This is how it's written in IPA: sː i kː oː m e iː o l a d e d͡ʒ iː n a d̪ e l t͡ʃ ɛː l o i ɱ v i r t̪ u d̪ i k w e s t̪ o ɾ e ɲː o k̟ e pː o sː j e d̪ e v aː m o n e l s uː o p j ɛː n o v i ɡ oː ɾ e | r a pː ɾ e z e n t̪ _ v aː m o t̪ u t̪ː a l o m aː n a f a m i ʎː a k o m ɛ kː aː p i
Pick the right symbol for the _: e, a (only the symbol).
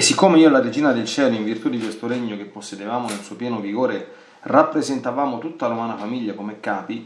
a